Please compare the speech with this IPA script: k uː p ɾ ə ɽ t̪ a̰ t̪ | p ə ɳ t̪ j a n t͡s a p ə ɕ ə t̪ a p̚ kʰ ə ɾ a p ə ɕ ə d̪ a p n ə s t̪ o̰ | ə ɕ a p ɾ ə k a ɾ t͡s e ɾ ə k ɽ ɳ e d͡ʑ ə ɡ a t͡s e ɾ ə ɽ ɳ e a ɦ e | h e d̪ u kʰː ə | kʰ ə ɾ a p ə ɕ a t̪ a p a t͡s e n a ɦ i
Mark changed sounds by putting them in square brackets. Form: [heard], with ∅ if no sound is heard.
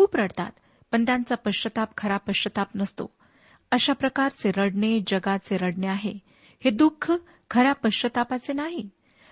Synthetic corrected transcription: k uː p ɾ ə ɽ t̪ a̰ t̪ | p ə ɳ t̪ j a n t͡s a p ə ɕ ə t̪ a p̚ kʰ ə ɾ a p ə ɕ ə [t̪] a p n ə s t̪ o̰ | ə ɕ a p ɾ ə k a ɾ t͡s e ɾ ə [∅] ɽ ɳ e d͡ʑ ə ɡ a t͡s e ɾ ə ɽ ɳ e a ɦ e | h e d̪ u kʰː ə | kʰ ə ɾ a p ə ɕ [ə] t̪ a p a t͡s e n a ɦ i